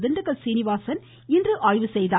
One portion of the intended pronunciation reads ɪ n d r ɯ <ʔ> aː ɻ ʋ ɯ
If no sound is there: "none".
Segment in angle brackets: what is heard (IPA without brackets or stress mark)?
ʔ